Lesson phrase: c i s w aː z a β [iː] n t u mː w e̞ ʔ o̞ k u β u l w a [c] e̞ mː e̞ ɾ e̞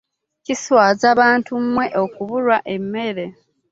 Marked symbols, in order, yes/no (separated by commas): no, no